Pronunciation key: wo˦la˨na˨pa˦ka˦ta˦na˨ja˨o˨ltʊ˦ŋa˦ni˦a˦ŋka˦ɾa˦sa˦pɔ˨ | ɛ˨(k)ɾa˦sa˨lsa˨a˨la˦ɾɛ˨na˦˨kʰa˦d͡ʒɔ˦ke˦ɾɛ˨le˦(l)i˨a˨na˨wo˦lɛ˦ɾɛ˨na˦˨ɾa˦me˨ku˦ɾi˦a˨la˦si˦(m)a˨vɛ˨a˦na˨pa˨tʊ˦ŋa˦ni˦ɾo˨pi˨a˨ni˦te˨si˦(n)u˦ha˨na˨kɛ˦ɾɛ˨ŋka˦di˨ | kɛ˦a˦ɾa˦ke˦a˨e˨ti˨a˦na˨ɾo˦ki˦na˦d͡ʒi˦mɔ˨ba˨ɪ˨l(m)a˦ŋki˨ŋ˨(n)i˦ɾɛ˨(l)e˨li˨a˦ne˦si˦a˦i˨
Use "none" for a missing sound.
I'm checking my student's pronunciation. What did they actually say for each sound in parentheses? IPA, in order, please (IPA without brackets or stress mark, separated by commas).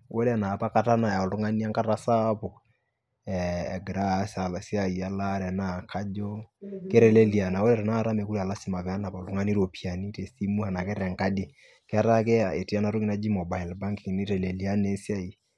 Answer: ɡ, l, m, m, b, n, l